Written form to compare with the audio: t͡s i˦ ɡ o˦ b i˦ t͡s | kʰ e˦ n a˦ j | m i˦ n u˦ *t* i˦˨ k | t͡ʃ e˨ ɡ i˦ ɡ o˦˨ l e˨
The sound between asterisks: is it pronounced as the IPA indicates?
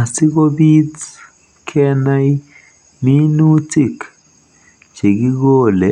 no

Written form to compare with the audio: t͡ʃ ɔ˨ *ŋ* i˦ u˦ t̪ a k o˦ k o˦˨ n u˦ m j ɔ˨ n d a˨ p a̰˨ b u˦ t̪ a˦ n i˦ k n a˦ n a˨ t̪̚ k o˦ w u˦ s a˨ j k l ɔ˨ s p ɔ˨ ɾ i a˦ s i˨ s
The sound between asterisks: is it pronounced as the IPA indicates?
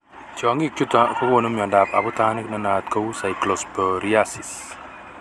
yes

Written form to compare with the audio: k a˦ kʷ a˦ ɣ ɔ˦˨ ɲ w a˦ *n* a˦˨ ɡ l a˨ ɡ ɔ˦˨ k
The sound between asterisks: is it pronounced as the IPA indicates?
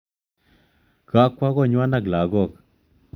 yes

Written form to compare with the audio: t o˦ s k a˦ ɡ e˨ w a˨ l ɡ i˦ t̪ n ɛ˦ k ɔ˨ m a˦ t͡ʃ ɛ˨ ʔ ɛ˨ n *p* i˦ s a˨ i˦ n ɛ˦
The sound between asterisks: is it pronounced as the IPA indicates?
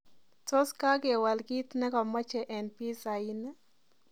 yes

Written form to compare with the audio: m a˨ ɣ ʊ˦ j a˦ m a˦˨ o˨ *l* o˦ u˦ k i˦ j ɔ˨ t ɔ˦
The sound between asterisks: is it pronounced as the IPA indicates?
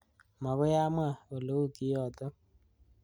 yes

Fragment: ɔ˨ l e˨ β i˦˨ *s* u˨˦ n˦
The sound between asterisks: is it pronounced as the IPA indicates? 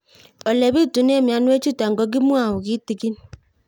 no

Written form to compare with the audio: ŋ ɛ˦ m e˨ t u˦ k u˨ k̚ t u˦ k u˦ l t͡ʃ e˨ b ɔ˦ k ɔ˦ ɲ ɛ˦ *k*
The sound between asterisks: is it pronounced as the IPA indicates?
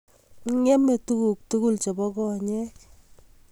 yes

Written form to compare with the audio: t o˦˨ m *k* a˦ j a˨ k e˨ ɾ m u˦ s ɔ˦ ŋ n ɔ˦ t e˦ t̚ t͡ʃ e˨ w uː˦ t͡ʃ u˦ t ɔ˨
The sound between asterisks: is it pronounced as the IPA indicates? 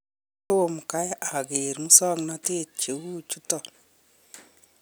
yes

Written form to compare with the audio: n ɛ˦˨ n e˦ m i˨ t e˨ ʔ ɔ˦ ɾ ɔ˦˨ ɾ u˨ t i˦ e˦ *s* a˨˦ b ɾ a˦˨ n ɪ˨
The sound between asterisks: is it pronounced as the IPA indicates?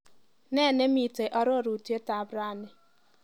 no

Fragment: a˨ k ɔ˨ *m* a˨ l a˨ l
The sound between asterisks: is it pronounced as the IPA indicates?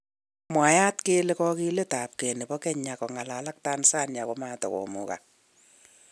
no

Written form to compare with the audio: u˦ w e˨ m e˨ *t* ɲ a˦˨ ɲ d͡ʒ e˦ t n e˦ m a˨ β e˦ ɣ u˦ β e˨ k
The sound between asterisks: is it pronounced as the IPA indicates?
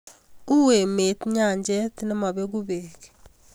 yes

